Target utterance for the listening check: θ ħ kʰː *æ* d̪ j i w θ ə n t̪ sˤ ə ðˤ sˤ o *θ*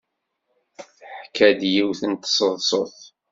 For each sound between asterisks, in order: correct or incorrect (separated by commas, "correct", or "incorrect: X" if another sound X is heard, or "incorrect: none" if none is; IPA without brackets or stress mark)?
correct, correct